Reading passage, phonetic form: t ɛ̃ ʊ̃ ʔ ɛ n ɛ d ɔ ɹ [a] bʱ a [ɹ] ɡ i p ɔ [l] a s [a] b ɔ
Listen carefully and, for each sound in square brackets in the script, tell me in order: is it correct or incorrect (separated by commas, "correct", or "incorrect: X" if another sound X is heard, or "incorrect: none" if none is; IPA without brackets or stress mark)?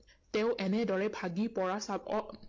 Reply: incorrect: ɛ, incorrect: none, incorrect: ɹ, correct